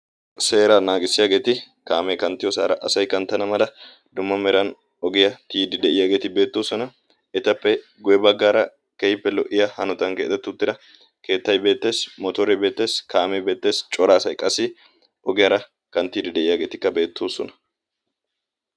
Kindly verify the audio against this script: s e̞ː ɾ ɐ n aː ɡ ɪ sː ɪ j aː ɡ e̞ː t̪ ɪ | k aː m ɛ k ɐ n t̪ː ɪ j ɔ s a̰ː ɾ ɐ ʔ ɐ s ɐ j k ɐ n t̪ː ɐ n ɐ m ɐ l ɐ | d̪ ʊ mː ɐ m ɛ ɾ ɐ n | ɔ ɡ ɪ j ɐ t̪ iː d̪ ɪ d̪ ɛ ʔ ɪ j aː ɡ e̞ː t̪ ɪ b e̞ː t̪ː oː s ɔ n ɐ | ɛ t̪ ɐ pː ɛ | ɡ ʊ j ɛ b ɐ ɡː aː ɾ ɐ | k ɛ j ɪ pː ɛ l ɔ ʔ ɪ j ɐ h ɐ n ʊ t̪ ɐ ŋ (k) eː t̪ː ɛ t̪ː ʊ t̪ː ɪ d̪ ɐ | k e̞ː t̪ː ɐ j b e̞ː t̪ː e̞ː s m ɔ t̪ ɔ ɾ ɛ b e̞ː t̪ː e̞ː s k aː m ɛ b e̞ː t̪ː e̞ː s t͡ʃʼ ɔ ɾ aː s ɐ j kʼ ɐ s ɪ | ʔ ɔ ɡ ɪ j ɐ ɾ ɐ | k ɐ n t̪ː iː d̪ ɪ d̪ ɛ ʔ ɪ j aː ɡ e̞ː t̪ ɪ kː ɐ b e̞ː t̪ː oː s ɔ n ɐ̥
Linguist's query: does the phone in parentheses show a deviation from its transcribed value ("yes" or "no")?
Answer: no